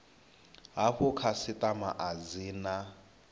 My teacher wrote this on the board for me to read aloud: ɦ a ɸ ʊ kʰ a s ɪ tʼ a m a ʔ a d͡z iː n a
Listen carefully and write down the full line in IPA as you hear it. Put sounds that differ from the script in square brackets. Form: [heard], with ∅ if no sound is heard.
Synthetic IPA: ɦ a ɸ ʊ kʰ a s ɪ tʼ a m a ʔ a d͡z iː n a